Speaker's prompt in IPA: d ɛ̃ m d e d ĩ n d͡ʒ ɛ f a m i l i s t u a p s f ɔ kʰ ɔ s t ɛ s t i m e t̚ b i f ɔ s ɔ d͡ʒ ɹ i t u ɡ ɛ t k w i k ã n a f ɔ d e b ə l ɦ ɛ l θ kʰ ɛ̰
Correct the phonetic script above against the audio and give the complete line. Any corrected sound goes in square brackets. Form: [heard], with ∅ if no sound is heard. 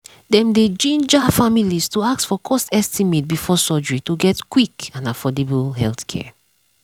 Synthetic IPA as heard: d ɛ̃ m d e [d͡ʒ] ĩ n d͡ʒ [a] f a m i l i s t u a [k] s f ɔ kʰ ɔ s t ɛ s t i m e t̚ b i f ɔ s ɔ d͡ʒ ɹ i t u ɡ ɛ t k w i k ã n a f ɔ d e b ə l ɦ ɛ l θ kʰ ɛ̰